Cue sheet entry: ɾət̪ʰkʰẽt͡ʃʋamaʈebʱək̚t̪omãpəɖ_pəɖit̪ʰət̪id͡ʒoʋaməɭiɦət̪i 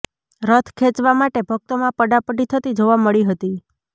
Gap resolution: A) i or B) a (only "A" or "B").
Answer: B